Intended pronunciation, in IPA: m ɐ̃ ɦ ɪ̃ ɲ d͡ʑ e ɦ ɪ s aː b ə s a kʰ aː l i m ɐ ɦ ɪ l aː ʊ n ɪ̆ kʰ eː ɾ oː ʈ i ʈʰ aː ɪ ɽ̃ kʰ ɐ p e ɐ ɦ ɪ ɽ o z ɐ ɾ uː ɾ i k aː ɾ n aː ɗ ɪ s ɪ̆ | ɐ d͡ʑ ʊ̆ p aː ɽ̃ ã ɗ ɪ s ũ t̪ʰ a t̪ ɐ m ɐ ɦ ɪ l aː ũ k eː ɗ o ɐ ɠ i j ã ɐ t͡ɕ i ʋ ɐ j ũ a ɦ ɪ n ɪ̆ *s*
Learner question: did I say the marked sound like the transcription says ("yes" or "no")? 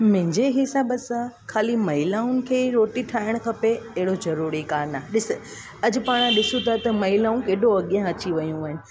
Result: no